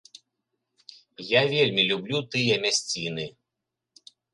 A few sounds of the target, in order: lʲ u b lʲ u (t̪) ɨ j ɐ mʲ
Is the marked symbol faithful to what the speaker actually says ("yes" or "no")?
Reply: yes